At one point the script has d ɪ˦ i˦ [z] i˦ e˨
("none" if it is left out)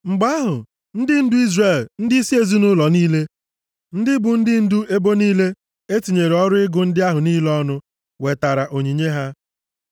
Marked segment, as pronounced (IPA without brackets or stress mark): s